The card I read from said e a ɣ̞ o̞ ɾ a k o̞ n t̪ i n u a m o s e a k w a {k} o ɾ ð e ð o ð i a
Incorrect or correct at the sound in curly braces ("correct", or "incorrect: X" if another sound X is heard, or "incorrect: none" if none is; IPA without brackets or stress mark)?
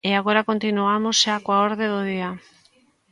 incorrect: none